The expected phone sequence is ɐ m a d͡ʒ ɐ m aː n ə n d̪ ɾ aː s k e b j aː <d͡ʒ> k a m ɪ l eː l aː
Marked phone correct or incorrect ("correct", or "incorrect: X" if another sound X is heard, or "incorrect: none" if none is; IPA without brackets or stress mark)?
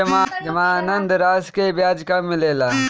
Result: correct